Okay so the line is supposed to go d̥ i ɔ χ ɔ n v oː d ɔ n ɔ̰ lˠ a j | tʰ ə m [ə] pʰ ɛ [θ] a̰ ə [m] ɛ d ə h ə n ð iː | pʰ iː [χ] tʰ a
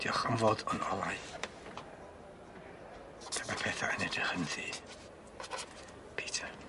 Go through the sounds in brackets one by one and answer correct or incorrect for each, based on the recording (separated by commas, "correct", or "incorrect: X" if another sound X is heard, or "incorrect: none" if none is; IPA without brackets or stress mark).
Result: incorrect: a, correct, incorrect: n, incorrect: none